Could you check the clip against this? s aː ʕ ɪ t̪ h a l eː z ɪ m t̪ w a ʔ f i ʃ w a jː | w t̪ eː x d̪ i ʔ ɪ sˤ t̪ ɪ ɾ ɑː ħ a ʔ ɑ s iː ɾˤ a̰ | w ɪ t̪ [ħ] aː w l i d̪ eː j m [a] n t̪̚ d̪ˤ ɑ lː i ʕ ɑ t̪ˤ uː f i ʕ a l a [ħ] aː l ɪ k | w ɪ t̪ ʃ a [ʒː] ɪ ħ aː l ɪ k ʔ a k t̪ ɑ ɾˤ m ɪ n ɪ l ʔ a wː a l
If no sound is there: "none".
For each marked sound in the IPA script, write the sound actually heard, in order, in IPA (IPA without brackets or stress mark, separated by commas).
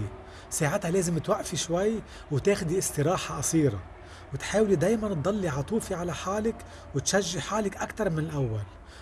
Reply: ħ, a, ħ, ʒː